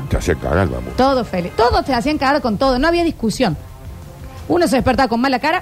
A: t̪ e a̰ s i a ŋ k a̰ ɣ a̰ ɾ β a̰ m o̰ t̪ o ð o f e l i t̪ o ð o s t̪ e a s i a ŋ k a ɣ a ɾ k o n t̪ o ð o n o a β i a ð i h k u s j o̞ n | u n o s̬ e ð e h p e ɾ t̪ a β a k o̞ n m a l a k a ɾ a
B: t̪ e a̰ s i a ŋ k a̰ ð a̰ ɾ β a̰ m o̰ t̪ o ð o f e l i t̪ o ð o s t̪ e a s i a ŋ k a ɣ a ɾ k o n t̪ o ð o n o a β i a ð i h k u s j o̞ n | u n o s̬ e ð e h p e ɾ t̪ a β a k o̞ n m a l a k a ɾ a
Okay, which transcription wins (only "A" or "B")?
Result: A